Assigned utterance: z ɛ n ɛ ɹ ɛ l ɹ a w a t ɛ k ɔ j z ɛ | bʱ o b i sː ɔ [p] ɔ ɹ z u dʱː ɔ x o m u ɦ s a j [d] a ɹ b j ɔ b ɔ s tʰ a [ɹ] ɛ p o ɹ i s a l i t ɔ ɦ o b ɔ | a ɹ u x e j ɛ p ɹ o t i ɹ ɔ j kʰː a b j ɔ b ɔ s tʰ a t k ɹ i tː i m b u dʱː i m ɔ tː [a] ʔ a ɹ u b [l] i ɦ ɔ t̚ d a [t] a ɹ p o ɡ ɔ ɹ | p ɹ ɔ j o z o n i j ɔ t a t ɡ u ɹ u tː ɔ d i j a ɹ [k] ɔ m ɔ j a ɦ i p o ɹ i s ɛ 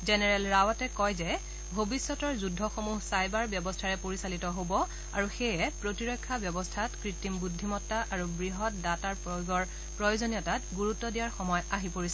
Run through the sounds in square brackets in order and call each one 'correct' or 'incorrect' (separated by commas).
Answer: incorrect, incorrect, correct, correct, incorrect, correct, incorrect